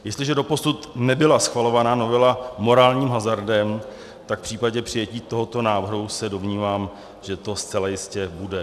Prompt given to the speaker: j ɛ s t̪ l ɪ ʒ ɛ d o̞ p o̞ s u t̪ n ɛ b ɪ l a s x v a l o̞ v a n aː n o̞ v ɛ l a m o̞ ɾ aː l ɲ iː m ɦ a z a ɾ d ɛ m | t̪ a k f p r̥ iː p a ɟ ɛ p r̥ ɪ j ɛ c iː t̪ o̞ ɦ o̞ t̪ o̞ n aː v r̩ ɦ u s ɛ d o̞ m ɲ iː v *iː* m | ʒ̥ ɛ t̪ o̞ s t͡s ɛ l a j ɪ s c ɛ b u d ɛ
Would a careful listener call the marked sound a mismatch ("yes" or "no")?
yes